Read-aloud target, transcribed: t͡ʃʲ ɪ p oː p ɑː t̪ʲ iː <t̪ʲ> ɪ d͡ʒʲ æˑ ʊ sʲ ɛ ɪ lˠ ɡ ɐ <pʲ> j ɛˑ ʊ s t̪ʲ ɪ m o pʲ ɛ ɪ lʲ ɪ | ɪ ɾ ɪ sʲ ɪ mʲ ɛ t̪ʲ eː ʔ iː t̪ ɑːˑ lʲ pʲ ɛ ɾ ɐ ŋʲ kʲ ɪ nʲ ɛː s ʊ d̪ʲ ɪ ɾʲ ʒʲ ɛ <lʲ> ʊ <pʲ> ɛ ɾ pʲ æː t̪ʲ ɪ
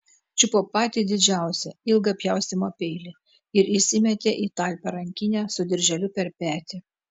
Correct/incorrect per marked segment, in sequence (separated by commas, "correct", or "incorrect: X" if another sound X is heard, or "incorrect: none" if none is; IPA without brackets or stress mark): incorrect: d̪ʲ, correct, correct, correct